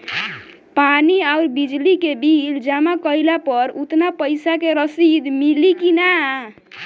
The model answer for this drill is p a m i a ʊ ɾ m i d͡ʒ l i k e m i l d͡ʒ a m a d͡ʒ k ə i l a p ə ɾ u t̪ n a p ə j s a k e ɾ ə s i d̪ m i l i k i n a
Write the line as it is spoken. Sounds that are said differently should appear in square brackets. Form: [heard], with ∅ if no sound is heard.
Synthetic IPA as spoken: p a [n] i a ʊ ɾ [b] i d͡ʒ l i k e [b] i l d͡ʒ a m a [∅] k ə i l a p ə ɾ u t̪ n a p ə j s a k e ɾ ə s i d̪ m i l i k i n a